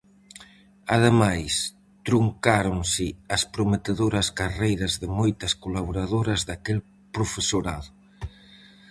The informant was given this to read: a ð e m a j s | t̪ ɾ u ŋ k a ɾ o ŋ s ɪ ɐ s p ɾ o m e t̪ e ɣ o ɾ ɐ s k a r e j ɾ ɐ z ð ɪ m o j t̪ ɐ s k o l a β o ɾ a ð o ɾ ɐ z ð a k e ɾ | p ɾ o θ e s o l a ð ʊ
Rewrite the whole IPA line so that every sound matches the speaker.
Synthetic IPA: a ð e m a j s | t̪ ɾ u ŋ k a ɾ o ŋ s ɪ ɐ s p ɾ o m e t̪ e ð o ɾ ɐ s k a r e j ɾ ɐ z ð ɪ m o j t̪ ɐ s k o l a β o ɾ a ð o ɾ ɐ z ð a k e l | p ɾ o f e s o ɾ a ð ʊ